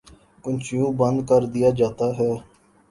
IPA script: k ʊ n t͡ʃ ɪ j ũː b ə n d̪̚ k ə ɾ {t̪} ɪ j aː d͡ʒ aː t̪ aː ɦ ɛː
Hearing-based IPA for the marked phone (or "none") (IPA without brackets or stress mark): d̪